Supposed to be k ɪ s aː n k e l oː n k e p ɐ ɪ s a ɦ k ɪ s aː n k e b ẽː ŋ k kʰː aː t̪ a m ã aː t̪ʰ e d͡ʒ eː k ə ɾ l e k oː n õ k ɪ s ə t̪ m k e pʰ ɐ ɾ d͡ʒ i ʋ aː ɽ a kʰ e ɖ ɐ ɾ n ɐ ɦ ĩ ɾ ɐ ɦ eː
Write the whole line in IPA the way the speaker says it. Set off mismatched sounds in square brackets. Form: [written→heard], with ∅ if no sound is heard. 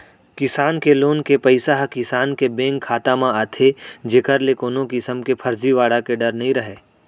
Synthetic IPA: k ɪ s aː n k e l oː n k e p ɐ ɪ s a ɦ k ɪ s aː n k e b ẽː ŋ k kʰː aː t̪ a m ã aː t̪ʰ e d͡ʒ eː k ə ɾ l e k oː n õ k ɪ s ə [t̪→∅] m k e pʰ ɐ ɾ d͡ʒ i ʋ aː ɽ a [kʰ→k] e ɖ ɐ ɾ n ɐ ɦ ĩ ɾ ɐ ɦ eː

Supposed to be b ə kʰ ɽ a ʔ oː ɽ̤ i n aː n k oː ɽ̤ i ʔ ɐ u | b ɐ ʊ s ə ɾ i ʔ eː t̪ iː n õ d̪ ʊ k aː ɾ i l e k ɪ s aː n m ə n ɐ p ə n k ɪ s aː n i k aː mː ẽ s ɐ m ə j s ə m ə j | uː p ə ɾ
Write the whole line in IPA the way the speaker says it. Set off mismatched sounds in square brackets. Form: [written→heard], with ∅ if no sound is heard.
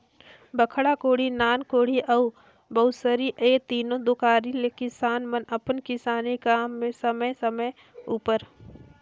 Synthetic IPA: b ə kʰ ɽ a [ʔ→k] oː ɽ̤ i n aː n k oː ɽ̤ i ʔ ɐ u | b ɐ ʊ s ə ɾ i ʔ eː t̪ iː n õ d̪ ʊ k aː ɾ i l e k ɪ s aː n m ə n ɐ p ə n k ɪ s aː n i k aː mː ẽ s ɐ m ə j s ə m ə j | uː p ə ɾ

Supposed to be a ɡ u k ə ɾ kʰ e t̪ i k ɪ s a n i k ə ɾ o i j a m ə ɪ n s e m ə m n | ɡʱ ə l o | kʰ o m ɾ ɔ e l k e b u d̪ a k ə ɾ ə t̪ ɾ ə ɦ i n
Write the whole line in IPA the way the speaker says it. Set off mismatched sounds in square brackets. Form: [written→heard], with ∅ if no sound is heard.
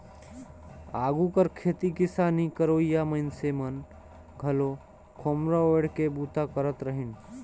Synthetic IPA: a ɡ u k ə ɾ kʰ e t̪ i k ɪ s a n i k ə ɾ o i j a m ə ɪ n s e m ə [m→∅] n | ɡʱ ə l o | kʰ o m ɾ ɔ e [l→ɽ] k e b u [d̪→t̪] a k ə ɾ ə t̪ ɾ ə ɦ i n

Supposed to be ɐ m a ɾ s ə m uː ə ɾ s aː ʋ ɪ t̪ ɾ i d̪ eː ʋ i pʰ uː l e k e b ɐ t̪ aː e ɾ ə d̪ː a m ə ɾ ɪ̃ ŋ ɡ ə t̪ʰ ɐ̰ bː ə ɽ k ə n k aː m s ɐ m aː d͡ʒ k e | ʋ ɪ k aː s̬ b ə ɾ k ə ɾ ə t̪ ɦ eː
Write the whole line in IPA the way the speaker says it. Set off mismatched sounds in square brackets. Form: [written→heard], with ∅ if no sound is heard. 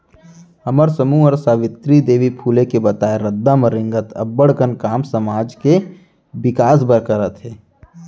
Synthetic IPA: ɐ m [a→ə] ɾ s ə m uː ə ɾ s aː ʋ ɪ t̪ ɾ i d̪ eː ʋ i pʰ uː l e k e b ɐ t̪ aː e ɾ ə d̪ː a m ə ɾ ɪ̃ ŋ ɡ ə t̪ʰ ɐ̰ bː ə ɽ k ə n k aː m s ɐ m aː d͡ʒ k e | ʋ ɪ k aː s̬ b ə ɾ k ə ɾ ə t̪ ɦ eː

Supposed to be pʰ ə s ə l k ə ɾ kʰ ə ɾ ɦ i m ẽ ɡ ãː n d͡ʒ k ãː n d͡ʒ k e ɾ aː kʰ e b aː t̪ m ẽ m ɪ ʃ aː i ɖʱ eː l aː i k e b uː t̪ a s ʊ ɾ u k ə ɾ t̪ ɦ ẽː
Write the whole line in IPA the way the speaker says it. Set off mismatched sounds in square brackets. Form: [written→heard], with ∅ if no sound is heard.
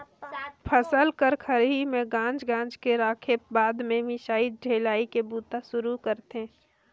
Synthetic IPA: pʰ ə s ə l k ə ɾ kʰ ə ɾ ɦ i m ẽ ɡ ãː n d͡ʒ [k→ɡ] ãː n d͡ʒ k e ɾ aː kʰ e b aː [t̪→d̪] m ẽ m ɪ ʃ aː i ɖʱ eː l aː i k e b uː t̪ a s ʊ ɾ u k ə ɾ t̪ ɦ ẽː

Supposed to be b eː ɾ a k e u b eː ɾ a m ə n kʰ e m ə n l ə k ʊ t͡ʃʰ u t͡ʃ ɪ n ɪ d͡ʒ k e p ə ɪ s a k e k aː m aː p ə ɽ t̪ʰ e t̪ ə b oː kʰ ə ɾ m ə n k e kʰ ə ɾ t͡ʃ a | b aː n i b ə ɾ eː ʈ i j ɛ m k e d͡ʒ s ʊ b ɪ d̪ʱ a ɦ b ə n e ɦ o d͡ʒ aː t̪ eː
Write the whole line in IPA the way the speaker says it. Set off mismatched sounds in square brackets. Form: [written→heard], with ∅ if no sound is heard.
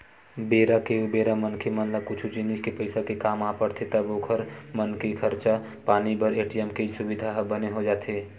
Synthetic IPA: b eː ɾ a k e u b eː ɾ a m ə n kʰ e m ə n l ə k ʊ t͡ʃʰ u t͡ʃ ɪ n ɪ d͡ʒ k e p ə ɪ s a k e k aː m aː p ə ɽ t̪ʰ e t̪ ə b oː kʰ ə ɾ m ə n k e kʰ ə ɾ t͡ʃ a | [b→p] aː n i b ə ɾ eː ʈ i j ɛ m k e d͡ʒ s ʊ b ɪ d̪ʱ a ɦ b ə n e ɦ o d͡ʒ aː t̪ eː

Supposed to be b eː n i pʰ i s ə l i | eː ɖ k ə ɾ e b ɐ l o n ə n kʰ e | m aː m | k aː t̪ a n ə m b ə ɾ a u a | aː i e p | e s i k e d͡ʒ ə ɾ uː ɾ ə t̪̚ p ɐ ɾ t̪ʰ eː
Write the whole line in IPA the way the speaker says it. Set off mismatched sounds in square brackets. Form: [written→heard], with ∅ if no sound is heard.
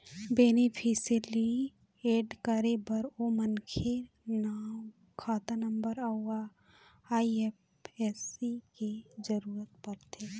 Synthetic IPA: b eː n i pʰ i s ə l i | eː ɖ k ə ɾ e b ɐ [l→ɾ] o [n→m] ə n kʰ e | [m→n] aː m | [k→kʰ] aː t̪ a n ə m b ə ɾ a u a | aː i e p | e s i k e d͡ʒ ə ɾ uː ɾ ə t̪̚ p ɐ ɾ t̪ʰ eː

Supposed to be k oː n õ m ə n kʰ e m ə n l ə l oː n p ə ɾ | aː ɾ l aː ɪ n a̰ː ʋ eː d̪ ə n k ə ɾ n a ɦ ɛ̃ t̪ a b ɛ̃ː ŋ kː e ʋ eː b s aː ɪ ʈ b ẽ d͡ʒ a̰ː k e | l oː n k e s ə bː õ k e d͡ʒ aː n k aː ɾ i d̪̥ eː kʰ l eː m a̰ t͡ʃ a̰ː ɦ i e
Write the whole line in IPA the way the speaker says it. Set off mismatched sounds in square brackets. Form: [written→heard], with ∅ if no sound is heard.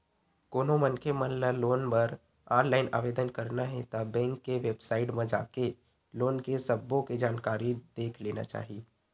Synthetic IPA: k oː n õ m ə n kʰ e m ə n l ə l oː n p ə ɾ | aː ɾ l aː ɪ n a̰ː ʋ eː d̪ ə n k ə ɾ n a ɦ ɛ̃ t̪ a b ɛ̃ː ŋ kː e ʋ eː b s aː ɪ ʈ [b→m] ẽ d͡ʒ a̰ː k e | l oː n k e s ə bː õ k e d͡ʒ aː n k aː ɾ i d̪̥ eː kʰ l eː [m→n] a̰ t͡ʃ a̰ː ɦ i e

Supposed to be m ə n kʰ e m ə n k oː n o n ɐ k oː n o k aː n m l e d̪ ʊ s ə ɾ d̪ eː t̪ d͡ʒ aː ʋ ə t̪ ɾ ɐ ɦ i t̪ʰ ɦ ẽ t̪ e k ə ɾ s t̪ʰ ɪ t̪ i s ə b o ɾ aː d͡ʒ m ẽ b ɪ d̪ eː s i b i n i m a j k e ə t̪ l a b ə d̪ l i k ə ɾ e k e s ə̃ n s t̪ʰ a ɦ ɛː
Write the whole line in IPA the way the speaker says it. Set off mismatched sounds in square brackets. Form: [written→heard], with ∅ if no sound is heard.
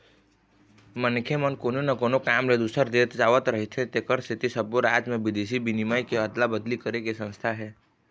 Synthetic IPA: m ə n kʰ e m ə n k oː n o n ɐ k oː n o k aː [n→∅] m l e d̪ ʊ s ə ɾ d̪ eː t̪ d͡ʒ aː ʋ ə t̪ ɾ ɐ ɦ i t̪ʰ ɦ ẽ t̪ e k ə ɾ s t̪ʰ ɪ t̪ i s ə b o ɾ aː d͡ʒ m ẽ b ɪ d̪ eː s i b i n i m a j k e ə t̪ l a b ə d̪ l i k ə ɾ e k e s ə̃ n s t̪ʰ a ɦ ɛː

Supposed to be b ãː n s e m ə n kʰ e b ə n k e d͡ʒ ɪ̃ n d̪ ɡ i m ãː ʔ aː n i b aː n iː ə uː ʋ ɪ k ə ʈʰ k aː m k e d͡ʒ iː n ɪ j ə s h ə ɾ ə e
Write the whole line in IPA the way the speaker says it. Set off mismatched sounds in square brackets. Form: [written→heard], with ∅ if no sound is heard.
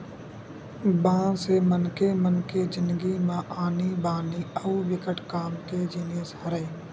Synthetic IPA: b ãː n s e m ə n [kʰ→k] e [b→m] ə n k e d͡ʒ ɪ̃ n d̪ ɡ i m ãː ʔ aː n i b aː n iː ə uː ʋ ɪ k ə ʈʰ k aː m k e d͡ʒ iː n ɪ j ə s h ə ɾ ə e

